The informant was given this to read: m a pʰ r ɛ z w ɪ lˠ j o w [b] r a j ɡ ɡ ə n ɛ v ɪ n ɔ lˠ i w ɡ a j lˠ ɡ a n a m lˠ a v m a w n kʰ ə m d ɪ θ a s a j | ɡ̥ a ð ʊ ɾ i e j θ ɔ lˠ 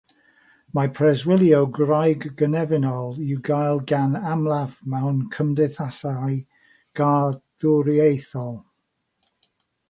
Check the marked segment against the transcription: incorrect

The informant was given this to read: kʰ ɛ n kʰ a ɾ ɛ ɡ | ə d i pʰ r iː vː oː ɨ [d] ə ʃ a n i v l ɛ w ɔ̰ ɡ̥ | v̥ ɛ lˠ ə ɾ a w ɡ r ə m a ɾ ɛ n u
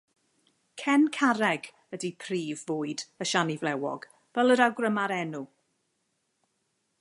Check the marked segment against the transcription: correct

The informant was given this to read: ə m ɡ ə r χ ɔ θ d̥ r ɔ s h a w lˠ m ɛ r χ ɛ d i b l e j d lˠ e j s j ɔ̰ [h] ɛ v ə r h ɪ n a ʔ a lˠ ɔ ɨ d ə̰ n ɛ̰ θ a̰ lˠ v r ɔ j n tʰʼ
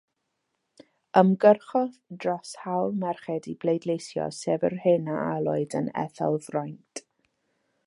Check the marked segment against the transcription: incorrect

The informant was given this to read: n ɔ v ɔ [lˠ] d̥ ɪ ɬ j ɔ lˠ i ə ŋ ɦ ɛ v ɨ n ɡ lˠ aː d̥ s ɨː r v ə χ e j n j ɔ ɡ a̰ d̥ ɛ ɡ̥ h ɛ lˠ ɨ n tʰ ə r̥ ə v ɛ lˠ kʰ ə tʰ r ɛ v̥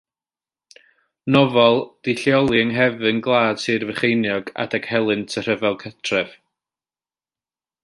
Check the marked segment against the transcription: correct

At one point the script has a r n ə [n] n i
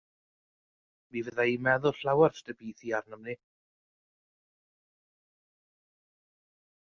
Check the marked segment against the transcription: incorrect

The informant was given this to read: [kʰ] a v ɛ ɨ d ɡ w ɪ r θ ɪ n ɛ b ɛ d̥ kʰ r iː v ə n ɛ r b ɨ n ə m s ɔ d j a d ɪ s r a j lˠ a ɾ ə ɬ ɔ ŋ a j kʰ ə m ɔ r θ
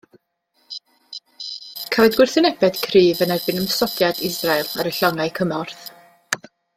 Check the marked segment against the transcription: correct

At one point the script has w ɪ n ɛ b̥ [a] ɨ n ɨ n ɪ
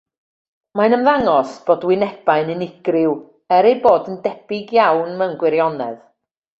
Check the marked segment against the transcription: correct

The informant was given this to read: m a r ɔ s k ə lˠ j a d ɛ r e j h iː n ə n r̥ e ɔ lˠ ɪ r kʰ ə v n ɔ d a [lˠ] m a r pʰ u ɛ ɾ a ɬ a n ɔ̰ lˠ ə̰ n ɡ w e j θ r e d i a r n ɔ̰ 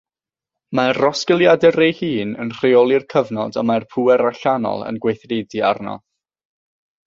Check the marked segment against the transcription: incorrect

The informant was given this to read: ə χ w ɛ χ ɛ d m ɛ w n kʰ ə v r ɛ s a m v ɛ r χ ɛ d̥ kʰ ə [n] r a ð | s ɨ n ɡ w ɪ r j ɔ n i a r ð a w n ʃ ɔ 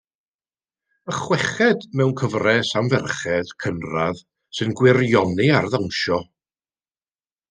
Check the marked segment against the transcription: correct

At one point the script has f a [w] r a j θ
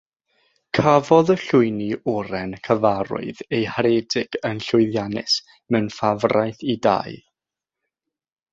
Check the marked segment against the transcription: incorrect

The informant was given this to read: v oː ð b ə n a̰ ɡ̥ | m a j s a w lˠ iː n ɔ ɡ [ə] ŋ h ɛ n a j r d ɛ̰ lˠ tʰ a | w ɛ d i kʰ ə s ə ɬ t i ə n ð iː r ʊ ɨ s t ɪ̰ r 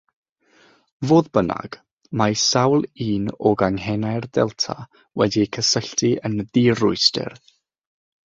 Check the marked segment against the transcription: incorrect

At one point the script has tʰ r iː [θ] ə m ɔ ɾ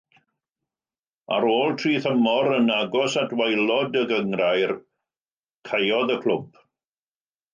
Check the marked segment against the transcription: correct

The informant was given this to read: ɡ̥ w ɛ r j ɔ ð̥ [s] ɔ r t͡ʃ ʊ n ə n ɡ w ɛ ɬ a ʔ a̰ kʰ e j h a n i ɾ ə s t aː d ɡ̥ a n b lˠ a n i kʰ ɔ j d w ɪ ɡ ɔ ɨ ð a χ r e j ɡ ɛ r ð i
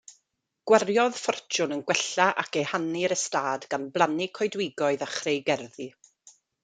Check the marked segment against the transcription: incorrect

